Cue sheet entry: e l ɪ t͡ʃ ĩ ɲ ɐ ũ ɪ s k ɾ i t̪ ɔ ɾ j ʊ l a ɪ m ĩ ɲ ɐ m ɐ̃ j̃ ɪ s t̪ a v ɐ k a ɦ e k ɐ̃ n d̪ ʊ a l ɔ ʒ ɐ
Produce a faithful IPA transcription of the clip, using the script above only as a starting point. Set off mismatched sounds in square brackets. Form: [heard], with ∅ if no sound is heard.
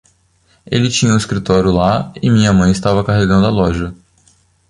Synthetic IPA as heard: e l ɪ t͡ʃ ĩ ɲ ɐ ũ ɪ s k ɾ i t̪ ɔ ɾ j ʊ l a ɪ m ĩ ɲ ɐ m ɐ̃ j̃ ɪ s t̪ a v ɐ k a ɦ e [ɡ] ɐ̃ n d̪ ʊ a l ɔ ʒ ɐ